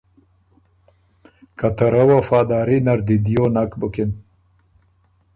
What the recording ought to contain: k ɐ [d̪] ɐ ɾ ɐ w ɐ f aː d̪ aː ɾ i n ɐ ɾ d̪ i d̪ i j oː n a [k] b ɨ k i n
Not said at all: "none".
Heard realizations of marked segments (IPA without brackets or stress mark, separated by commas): t̪, k